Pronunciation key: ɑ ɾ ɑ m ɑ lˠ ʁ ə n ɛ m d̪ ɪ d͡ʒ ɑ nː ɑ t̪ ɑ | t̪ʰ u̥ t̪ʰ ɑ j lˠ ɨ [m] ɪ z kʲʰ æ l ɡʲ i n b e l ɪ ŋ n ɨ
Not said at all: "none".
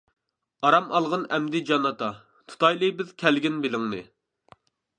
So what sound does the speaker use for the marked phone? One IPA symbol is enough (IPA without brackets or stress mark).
b